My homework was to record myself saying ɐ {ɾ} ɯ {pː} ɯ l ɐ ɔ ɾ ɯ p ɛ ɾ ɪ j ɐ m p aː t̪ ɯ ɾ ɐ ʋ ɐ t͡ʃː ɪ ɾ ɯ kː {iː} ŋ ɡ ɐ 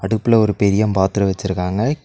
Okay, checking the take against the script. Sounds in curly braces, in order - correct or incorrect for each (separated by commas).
incorrect, correct, incorrect